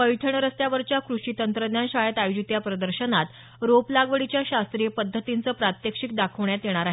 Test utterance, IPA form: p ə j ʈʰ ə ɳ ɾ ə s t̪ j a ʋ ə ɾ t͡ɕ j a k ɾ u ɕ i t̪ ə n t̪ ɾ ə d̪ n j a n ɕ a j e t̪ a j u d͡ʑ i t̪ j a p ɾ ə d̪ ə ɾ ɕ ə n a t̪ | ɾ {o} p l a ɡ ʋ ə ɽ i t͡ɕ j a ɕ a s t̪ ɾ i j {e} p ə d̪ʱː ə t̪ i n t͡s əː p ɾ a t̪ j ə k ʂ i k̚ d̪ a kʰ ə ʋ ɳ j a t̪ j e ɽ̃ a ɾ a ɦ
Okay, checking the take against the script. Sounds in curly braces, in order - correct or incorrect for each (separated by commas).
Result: correct, correct